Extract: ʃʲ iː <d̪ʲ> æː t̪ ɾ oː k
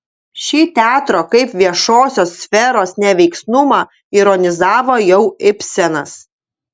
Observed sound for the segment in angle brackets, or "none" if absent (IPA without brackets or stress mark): t̪ʲ